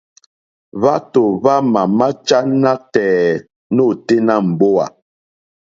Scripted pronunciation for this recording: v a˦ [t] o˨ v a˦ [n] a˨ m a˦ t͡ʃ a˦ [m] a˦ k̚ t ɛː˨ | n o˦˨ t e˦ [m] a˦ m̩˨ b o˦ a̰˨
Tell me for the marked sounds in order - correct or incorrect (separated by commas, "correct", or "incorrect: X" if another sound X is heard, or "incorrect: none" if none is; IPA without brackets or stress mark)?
correct, incorrect: m, incorrect: n, incorrect: n